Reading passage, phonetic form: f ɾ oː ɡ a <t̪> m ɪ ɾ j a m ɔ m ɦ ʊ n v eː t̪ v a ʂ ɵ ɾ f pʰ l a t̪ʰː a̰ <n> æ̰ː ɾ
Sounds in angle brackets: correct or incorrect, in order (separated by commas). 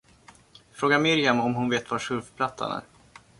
incorrect, correct